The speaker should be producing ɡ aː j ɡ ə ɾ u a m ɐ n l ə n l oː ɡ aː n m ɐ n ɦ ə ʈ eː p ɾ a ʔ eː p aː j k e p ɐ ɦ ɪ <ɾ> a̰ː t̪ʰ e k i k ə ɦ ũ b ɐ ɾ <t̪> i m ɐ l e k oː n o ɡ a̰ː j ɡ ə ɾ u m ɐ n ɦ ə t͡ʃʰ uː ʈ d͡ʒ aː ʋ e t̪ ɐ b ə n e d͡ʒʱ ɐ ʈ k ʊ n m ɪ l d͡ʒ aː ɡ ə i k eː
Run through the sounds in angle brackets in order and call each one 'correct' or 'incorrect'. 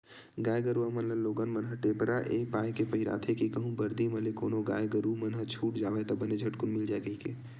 correct, incorrect: d̪

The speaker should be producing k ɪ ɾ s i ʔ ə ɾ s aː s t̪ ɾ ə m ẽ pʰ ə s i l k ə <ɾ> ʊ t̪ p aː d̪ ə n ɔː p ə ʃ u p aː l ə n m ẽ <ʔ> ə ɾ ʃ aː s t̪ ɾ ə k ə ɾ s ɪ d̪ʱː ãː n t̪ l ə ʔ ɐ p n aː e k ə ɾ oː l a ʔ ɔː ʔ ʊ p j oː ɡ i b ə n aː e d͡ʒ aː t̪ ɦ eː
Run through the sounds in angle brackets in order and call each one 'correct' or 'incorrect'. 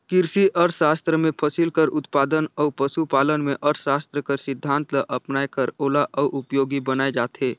correct, correct

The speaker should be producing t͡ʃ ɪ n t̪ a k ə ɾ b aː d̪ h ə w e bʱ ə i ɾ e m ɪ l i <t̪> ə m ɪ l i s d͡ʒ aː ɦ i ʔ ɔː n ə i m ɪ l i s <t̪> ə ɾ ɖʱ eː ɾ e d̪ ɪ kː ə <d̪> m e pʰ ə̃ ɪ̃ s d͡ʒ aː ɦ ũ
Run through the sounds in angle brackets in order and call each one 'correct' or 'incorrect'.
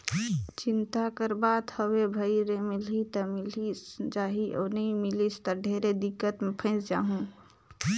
correct, correct, incorrect: t̪

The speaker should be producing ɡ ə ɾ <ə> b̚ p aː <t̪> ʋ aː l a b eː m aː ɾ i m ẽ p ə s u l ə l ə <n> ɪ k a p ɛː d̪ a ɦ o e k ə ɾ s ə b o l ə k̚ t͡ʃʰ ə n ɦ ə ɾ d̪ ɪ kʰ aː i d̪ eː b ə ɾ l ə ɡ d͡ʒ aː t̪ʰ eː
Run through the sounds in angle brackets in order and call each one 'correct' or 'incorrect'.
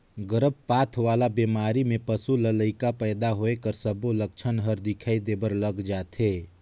correct, incorrect: t̪ʰ, incorrect: none

